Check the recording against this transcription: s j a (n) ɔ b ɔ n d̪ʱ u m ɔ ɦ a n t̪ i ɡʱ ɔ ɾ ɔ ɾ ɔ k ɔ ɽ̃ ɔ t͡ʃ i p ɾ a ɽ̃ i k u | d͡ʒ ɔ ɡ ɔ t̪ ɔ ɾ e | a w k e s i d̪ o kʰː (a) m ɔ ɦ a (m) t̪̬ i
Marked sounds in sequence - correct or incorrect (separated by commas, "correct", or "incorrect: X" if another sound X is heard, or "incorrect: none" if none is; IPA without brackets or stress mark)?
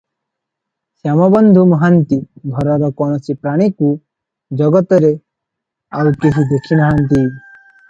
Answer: incorrect: m, incorrect: i, incorrect: n